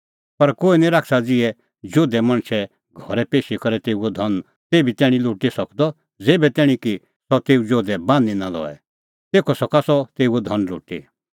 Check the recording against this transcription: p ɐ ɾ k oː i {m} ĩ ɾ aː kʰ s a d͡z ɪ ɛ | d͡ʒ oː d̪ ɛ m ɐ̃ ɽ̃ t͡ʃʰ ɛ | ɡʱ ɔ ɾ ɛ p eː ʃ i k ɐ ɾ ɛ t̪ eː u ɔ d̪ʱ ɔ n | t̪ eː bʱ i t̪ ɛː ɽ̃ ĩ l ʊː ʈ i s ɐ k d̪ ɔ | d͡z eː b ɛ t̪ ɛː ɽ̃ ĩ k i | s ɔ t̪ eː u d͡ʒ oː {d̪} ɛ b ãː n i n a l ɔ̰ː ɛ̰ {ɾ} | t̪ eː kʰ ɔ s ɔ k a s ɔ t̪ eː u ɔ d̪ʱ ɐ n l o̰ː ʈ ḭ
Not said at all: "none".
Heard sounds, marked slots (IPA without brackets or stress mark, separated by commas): n, d̪, none